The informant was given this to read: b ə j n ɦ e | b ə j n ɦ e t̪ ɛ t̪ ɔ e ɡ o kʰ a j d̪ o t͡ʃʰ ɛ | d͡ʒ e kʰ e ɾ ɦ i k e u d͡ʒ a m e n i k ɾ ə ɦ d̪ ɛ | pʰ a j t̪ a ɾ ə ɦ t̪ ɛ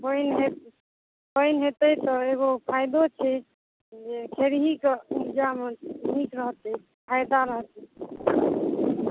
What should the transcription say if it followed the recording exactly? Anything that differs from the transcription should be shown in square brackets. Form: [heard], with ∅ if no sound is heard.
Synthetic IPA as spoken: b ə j n ɦ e | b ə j n ɦ e t̪ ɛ t̪ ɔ e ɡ o [pʰ] a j d̪ o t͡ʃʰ ɛ | d͡ʒ e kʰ e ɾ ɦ i k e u d͡ʒ a m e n i k ɾ ə ɦ [t̪] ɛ | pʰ a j [d̪] a ɾ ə ɦ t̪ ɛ